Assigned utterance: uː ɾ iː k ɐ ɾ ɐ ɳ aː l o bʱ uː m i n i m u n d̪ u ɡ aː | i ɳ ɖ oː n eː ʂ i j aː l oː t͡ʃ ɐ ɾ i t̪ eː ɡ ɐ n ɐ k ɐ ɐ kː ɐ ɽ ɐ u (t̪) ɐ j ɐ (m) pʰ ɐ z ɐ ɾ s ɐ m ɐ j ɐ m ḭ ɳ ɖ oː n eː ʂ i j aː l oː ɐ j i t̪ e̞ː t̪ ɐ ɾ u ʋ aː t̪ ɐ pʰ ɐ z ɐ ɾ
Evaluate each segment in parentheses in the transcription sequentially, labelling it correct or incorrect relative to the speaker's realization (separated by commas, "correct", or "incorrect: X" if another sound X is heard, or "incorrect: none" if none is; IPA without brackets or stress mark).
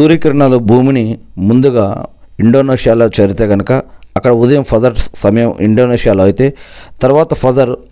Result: incorrect: d̪, correct